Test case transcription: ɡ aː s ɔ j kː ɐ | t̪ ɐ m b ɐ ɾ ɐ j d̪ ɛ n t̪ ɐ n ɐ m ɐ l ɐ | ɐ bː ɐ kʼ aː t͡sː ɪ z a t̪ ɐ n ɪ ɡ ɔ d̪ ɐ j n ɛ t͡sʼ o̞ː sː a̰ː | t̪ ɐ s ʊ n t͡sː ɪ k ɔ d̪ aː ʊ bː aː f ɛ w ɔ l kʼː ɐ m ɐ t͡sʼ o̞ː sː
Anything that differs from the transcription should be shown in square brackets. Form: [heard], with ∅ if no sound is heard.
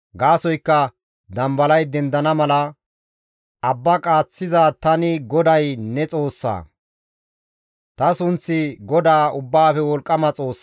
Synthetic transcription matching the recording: ɡ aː s ɔ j kː ɐ | [d̪] ɐ m b ɐ [l] ɐ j d̪ ɛ n [d̪] ɐ n ɐ m ɐ l ɐ | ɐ bː ɐ kʼ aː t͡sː ɪ z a t̪ ɐ n ɪ ɡ ɔ d̪ ɐ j n ɛ t͡sʼ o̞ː sː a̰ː | t̪ ɐ s ʊ n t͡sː ɪ [ɡ] ɔ d̪ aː ʊ bː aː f ɛ w ɔ l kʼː ɐ m ɐ t͡sʼ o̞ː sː